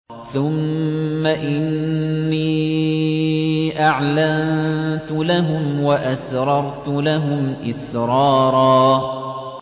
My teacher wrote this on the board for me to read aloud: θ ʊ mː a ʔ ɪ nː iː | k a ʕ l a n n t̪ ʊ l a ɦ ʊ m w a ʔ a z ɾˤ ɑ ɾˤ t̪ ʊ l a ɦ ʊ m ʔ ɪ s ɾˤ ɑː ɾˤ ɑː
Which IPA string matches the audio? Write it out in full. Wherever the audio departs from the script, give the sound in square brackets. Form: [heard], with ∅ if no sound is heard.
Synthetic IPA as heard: θ ʊ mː a ʔ ɪ nː iː | [ʔ] a ʕ l a n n t̪ ʊ l a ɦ ʊ m w a ʔ a [s] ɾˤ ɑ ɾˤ t̪ ʊ l a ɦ ʊ m ʔ ɪ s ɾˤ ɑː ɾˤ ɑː